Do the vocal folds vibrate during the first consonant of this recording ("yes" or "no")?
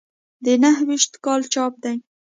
yes